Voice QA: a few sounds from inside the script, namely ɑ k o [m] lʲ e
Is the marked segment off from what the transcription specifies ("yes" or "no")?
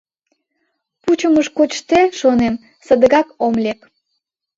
no